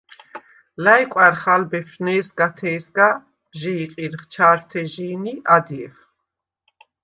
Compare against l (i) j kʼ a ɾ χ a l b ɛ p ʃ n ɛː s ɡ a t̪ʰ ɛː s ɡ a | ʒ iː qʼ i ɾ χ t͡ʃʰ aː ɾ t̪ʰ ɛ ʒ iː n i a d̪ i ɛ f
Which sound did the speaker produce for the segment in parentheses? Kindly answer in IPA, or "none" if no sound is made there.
a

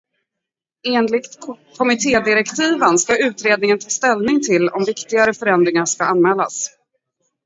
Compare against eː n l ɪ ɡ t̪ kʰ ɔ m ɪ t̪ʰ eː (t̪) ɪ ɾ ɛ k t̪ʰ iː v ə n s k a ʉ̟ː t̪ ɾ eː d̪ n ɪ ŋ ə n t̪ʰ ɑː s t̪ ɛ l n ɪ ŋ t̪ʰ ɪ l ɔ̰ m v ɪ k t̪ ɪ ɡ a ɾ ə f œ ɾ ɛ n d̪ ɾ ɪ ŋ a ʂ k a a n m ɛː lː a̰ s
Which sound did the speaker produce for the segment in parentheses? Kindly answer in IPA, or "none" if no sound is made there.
d̪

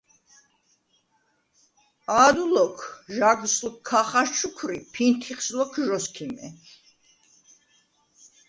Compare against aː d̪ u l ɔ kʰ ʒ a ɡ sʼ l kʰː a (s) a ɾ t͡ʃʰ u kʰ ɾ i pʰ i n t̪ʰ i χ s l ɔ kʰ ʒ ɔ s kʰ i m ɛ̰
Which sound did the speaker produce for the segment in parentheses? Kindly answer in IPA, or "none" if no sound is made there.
χ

